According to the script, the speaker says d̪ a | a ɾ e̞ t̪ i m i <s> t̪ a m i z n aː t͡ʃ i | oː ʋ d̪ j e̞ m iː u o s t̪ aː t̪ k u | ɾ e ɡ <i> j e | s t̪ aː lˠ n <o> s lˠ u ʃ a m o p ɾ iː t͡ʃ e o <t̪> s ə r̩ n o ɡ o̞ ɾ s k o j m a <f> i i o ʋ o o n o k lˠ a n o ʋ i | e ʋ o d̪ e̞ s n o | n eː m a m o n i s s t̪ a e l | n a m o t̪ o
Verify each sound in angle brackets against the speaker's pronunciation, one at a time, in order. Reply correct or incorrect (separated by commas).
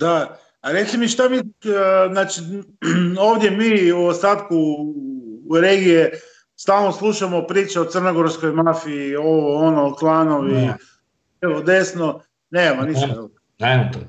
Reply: incorrect, correct, correct, correct, correct